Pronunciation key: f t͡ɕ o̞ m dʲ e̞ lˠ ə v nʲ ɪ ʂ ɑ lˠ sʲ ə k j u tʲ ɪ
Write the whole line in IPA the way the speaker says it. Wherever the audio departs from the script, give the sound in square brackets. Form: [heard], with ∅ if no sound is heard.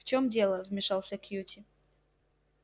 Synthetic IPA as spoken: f t͡ɕ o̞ m dʲ e̞ lˠ ə v [mʲ] ɪ ʂ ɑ lˠ sʲ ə k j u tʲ ɪ